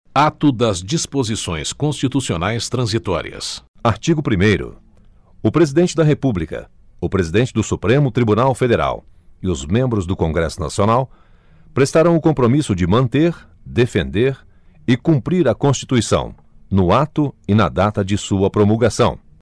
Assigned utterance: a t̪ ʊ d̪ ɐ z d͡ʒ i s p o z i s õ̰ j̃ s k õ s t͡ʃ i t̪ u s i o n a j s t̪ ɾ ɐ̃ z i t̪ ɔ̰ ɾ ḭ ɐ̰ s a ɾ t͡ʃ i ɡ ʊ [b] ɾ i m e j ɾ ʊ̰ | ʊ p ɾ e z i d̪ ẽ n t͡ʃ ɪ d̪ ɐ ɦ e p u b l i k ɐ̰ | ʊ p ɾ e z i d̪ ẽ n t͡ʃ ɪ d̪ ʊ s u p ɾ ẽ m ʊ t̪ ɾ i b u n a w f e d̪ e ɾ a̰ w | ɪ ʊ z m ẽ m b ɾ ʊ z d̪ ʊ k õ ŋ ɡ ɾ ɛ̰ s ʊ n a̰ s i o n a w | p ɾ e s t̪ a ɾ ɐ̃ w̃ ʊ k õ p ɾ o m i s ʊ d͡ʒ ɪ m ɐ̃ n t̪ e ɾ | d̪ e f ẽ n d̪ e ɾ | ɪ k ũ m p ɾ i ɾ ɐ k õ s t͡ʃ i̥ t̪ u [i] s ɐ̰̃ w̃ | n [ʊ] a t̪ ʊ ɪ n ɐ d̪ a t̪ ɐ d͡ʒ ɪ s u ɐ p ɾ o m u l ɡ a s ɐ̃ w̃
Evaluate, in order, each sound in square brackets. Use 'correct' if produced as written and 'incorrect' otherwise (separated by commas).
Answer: incorrect, correct, correct